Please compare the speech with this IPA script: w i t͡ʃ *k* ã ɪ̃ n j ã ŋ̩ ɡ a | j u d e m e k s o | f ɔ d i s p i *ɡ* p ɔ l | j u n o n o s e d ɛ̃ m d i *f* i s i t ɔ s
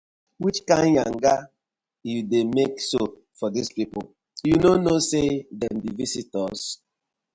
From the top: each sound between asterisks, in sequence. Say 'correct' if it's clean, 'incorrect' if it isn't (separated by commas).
correct, incorrect, incorrect